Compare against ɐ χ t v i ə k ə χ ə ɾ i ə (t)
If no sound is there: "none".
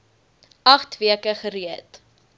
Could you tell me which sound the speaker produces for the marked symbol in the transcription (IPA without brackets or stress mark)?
t